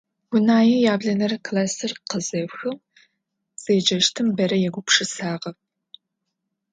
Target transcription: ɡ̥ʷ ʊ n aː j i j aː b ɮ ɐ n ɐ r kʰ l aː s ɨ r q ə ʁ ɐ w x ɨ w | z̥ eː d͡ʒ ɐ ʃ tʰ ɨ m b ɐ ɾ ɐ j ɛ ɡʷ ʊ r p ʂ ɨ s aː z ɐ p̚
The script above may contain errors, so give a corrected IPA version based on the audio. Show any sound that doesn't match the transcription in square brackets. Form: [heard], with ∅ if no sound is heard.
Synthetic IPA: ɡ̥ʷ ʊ n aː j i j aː b ɮ ɐ n ɐ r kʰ l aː s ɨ r q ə [z] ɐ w x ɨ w | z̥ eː d͡ʒ ɐ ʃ tʰ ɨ m b ɐ ɾ ɐ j ɛ ɡʷ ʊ [∅] p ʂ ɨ s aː [ʁ] ɐ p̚

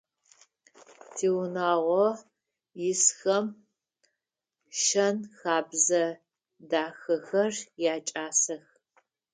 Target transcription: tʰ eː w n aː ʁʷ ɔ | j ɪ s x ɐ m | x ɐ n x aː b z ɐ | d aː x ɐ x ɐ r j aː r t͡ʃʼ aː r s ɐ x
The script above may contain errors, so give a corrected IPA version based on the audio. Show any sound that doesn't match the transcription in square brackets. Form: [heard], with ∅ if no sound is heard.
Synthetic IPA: tʰ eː w n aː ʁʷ ɔ | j ɪ s x ɐ m | [ʃ] ɐ n x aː b z ɐ | d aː x ɐ x ɐ r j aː [∅] t͡ʃʼ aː [∅] s ɐ x

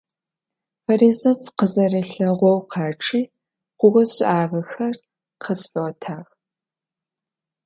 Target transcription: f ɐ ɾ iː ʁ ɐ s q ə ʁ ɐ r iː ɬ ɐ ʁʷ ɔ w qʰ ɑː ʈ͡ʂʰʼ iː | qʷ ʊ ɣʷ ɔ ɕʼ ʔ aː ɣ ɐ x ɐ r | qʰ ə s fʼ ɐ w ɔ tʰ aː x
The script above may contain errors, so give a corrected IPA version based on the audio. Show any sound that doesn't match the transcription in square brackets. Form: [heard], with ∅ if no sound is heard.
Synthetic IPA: f ɐ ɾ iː [z] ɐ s q ə [z] ɐ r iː ɬ ɐ ʁʷ ɔ w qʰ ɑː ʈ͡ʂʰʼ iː | qʷ ʊ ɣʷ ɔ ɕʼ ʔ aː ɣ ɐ x ɐ r | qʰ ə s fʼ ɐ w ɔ tʰ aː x

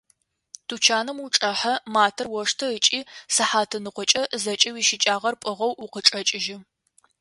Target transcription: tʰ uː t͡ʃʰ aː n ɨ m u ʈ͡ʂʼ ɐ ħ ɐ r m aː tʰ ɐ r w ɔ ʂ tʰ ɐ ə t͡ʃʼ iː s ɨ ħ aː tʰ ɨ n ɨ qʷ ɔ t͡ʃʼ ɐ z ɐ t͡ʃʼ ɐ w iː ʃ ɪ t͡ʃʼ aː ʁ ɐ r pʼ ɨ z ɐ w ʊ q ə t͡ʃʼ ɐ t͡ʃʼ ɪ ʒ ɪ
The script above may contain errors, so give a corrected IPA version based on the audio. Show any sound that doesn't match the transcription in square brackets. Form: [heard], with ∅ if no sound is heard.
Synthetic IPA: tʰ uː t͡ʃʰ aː n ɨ m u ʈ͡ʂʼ ɐ ħ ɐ [∅] m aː tʰ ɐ r w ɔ ʂ tʰ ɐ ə t͡ʃʼ iː s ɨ ħ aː tʰ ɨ n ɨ qʷ ɔ t͡ʃʼ ɐ z ɐ t͡ʃʼ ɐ w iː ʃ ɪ t͡ʃʼ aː ʁ ɐ r pʼ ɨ [ʁ] ɐ w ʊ q ə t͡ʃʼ ɐ t͡ʃʼ ɪ ʒ ɪ

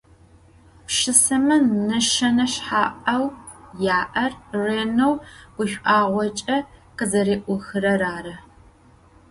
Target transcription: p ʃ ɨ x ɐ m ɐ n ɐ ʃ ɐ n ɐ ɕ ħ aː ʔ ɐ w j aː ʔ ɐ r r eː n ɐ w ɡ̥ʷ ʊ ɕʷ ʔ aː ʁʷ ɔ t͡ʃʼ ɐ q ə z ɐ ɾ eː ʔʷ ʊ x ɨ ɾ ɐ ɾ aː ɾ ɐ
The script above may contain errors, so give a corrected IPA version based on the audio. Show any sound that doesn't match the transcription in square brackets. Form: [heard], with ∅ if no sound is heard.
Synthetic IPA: p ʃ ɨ [s] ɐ m ɐ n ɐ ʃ ɐ n ɐ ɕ ħ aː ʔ ɐ w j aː ʔ ɐ r r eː n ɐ w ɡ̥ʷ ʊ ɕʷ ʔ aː ʁʷ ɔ t͡ʃʼ ɐ q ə z ɐ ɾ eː ʔʷ ʊ x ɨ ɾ ɐ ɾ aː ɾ ɐ

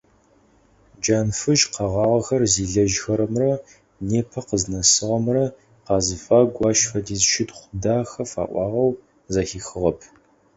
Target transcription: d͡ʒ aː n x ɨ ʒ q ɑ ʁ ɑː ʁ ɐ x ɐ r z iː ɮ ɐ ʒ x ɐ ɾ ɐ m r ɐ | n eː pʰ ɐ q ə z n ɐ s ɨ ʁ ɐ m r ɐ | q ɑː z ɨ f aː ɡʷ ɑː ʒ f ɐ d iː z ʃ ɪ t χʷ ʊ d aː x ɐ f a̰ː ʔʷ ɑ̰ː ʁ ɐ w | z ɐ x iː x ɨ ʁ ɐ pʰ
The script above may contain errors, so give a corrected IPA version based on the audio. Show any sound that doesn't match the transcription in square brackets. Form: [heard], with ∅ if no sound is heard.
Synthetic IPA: d͡ʒ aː n [f] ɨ ʒ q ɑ ʁ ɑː ʁ ɐ x ɐ r z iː ɮ ɐ ʒ x ɐ ɾ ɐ m r ɐ | n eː pʰ ɐ q ə z n ɐ s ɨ ʁ ɐ m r ɐ | q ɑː z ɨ f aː ɡʷ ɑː [ʃ] f ɐ d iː z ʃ ɪ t χʷ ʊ d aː x ɐ f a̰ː ʔʷ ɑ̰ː ʁ ɐ w | z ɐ x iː x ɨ ʁ ɐ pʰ

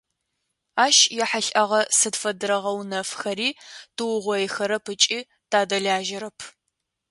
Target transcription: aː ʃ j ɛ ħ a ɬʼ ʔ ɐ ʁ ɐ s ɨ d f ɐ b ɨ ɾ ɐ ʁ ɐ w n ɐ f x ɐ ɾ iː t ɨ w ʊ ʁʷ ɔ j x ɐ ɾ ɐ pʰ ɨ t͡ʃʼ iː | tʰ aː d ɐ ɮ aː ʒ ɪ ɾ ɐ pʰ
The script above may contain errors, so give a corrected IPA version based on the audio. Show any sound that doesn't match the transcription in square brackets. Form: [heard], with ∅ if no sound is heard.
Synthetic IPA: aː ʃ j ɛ ħ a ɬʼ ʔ ɐ ʁ ɐ s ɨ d f ɐ [d] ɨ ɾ ɐ ʁ ɐ w n ɐ f x ɐ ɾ iː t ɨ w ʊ ʁʷ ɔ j x ɐ ɾ ɐ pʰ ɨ t͡ʃʼ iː | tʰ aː d ɐ ɮ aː ʒ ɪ ɾ ɐ pʰ

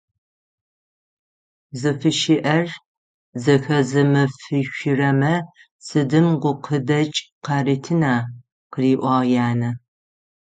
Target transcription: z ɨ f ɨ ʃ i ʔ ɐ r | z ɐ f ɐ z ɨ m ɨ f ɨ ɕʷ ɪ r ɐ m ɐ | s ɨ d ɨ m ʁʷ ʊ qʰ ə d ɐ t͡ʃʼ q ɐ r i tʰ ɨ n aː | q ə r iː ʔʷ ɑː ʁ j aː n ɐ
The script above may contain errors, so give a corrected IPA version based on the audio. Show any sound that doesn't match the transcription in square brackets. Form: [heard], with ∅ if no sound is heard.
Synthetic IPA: z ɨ f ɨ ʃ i ʔ ɐ r | z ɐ [x] ɐ z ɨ m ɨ f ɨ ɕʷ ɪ r ɐ m ɐ | s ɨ d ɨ m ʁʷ ʊ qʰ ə d ɐ t͡ʃʼ q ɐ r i tʰ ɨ n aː | q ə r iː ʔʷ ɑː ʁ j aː n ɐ

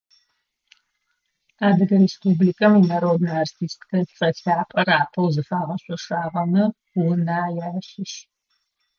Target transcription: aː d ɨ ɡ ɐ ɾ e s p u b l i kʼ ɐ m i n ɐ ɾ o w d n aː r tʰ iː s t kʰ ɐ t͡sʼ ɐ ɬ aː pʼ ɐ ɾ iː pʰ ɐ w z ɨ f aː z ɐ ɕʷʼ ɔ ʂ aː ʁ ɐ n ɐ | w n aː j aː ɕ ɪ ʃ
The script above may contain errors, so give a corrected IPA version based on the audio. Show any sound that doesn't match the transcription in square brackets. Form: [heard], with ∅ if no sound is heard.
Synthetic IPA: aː d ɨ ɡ ɐ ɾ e s p u b l i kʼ ɐ m i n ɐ ɾ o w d n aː r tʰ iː s t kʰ ɐ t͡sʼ ɐ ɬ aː pʼ ɐ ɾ [aː] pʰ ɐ w z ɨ f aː [ʁ] ɐ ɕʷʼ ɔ ʂ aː ʁ ɐ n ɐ | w n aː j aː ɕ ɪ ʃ

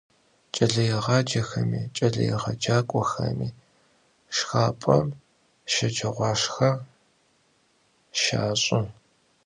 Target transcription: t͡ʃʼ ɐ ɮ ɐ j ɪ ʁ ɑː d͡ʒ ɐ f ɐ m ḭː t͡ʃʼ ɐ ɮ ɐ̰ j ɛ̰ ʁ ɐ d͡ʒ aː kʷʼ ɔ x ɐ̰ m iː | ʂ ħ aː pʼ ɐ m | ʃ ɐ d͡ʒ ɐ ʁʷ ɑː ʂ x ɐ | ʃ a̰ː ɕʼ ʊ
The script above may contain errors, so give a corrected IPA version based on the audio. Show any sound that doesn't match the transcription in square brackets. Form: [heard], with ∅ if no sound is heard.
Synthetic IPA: t͡ʃʼ ɐ ɮ ɐ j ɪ ʁ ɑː d͡ʒ ɐ [x] ɐ m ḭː t͡ʃʼ ɐ ɮ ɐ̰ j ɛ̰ ʁ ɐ d͡ʒ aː kʷʼ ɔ x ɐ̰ m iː | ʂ [x] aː pʼ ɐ m | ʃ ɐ d͡ʒ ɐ ʁʷ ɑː ʂ x ɐ | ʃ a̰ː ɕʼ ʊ

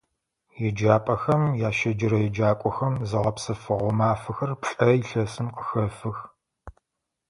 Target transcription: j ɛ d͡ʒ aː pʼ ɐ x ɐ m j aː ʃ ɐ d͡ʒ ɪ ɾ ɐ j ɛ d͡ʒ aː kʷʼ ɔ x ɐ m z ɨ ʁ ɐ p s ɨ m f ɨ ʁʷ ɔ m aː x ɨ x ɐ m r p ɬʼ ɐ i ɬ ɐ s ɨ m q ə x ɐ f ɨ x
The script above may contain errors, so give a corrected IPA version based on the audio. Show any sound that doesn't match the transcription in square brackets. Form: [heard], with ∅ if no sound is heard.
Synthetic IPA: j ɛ d͡ʒ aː pʼ ɐ x ɐ m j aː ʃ ɐ d͡ʒ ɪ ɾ ɐ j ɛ d͡ʒ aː kʷʼ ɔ x ɐ m z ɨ ʁ ɐ p s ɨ [∅] f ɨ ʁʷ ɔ m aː [f] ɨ x ɐ [∅] r p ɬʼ ɐ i ɬ ɐ s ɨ m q ə x ɐ f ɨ x

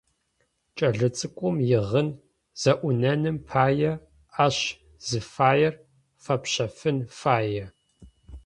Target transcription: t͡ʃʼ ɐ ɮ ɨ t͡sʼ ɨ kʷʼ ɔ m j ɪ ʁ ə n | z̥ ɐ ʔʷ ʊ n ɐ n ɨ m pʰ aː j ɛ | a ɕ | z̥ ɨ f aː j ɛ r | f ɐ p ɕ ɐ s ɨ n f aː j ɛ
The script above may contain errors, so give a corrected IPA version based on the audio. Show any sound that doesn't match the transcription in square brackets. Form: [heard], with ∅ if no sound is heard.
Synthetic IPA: t͡ʃʼ ɐ ɮ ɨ t͡sʼ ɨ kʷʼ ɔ m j ɪ ʁ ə n | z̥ ɐ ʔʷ ʊ n ɐ n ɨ m pʰ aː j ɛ | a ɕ | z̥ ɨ f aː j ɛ r | f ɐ p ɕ ɐ [f] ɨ n f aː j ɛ

